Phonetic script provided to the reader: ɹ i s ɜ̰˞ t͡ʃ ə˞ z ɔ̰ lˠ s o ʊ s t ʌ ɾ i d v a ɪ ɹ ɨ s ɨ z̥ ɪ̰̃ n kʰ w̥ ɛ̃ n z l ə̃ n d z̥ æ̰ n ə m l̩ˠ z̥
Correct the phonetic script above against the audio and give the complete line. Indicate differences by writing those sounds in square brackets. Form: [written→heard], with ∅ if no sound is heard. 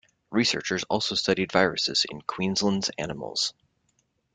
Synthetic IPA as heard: ɹ i s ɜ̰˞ t͡ʃ ə˞ z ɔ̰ lˠ s o ʊ s t ʌ ɾ i d v a ɪ ɹ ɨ s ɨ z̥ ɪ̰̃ n kʰ w̥ [ɛ̃→ĩ] n z l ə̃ n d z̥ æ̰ n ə m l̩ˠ z̥